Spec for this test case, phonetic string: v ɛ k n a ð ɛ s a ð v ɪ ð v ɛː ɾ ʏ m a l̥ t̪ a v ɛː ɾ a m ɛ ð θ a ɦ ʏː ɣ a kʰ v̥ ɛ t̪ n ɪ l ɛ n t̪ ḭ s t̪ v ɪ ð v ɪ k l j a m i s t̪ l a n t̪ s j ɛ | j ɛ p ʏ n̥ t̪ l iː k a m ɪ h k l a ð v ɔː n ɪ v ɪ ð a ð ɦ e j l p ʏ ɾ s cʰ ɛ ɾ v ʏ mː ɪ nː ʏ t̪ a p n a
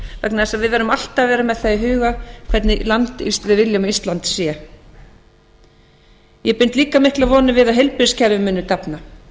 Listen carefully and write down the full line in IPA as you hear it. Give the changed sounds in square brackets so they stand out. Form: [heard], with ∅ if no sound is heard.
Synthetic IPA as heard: v ɛ k n a ð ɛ s a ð v ɪ ð v ɛː ɾ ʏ m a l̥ t̪ a v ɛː ɾ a m ɛ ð θ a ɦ ʏː ɣ a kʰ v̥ ɛ t̪ n ɪ l [a] n t̪ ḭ s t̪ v ɪ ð v ɪ [∅] l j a m i s t̪ l a n t̪ s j ɛ | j ɛ p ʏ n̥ t̪ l iː k a m ɪ h k l a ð v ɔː n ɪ v ɪ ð a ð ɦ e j l p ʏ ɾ s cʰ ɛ ɾ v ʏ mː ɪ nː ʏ t̪ a p n a

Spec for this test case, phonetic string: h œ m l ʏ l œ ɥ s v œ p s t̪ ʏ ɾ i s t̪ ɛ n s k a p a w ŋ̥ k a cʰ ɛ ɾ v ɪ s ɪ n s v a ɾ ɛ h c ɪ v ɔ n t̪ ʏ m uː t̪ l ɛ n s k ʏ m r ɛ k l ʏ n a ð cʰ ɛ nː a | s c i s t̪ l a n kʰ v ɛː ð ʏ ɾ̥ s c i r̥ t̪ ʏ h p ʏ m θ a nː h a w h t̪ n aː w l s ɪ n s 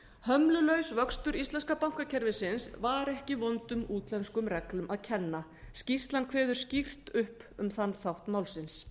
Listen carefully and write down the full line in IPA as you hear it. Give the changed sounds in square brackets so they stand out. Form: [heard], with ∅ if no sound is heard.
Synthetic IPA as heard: h œ m l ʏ l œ ɥ s v œ [k] s t̪ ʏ ɾ i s t̪ ɛ n s k a p a w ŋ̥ k a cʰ ɛ ɾ v ɪ s ɪ n s v a ɾ ɛ h c ɪ v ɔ n t̪ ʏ m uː t̪ l ɛ n s k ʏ m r ɛ k l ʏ [m] a ð cʰ ɛ nː a | s c i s t̪ l a n kʰ v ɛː ð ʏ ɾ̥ s c i r̥ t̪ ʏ h p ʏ m θ a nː [θ] a w h t̪ [m] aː w l s ɪ n s

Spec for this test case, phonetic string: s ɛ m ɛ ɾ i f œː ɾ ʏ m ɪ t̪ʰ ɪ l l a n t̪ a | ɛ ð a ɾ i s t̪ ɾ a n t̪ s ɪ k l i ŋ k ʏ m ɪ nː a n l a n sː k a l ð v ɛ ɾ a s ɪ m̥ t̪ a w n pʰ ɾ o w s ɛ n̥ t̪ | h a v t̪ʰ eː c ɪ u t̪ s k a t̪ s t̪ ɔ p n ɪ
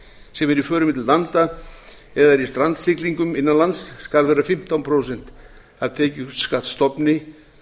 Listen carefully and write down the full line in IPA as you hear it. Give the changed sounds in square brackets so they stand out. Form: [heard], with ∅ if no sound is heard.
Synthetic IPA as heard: s ɛ m ɛ ɾ i f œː ɾ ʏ m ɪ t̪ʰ ɪ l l a n t̪ a | ɛ ð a ɾ i s t̪ ɾ a n t̪ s ɪ k l i ŋ k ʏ m ɪ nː a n l a n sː k a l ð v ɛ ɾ a [f] ɪ m̥ t̪ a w n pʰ ɾ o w s ɛ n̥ t̪ | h a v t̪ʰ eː c ɪ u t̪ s k a t̪ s t̪ ɔ p n ɪ

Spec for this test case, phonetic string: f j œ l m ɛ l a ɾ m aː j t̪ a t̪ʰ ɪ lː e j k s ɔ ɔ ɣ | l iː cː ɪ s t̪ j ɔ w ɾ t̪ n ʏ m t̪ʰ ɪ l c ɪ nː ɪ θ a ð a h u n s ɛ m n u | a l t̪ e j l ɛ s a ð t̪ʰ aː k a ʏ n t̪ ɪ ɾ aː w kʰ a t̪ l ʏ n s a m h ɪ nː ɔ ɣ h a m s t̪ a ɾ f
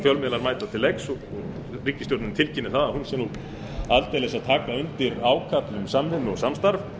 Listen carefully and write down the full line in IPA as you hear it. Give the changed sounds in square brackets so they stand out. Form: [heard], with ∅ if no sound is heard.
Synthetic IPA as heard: f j œ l m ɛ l a ɾ m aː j t̪ a t̪ʰ ɪ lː e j k s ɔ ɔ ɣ | [r] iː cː ɪ s t̪ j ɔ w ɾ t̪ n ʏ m t̪ʰ ɪ l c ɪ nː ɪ θ a ð a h u n s ɛ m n u | a l t̪ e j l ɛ s a ð t̪ʰ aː k a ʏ n t̪ ɪ ɾ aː w kʰ a t̪ l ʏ [m] s a m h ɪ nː ɔ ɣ [s] a m s t̪ a ɾ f

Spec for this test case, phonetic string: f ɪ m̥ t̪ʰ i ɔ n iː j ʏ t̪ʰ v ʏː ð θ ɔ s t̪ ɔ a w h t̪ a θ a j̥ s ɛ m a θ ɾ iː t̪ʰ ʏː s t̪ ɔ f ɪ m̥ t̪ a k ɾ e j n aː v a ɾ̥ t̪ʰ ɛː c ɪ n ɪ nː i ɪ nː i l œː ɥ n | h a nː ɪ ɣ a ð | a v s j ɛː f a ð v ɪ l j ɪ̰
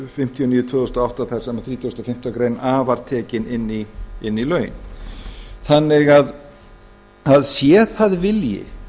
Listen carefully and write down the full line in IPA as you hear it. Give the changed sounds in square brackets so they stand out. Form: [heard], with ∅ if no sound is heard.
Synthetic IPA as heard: f ɪ m̥ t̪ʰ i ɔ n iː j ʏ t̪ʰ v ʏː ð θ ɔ s t̪ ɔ a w h t̪ a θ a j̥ s ɛ m a θ ɾ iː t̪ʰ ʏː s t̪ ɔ f ɪ m̥ t̪ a k ɾ e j n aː v a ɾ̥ t̪ʰ ɛː c ɪ n ɪ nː i ɪ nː i l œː ɥ n | [θ] a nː ɪ ɣ a ð | a [ð] s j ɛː [θ] a ð v ɪ l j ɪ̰

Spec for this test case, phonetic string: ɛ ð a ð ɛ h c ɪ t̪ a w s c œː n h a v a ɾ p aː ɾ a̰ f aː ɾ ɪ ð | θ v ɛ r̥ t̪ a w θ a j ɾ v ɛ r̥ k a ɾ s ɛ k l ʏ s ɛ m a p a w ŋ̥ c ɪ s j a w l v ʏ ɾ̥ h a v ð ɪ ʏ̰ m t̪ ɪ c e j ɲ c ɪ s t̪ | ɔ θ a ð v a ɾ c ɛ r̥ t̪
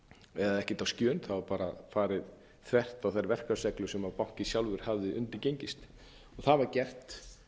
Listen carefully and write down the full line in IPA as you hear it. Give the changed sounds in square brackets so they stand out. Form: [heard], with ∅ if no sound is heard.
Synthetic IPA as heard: ɛ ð a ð ɛ h c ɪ t̪ a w s c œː n [θ] a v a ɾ p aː ɾ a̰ f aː ɾ ɪ ð | θ v ɛ r̥ t̪ a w θ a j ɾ v ɛ r̥ k a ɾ s ɛ k l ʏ s ɛ m a p a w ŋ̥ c ɪ s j a w l v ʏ ɾ̥ h a v ð ɪ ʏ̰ [n] t̪ ɪ c e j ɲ c ɪ s t̪ | ɔ θ a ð v a ɾ c ɛ r̥ t̪

